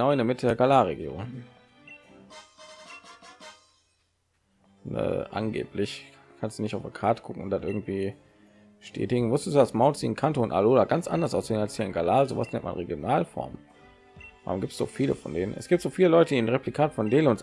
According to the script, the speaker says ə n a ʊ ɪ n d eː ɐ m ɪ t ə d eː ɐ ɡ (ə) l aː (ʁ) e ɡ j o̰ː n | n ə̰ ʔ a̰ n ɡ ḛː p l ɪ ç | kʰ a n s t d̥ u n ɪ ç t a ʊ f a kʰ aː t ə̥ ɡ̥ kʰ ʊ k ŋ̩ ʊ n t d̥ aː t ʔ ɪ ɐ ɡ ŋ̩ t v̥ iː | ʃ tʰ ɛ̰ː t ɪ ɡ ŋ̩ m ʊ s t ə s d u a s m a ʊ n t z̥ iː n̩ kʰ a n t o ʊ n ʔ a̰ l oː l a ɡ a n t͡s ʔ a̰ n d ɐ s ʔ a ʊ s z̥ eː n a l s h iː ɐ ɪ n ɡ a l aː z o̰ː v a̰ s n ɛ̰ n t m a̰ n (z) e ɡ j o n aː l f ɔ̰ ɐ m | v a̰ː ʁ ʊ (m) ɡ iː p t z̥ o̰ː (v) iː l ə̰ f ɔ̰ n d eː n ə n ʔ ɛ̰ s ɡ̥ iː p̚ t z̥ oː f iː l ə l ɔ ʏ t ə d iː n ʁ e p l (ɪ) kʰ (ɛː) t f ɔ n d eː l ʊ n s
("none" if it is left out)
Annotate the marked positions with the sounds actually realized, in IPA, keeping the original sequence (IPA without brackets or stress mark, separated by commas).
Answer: a, ʁ, ʁ, m, f, i, aː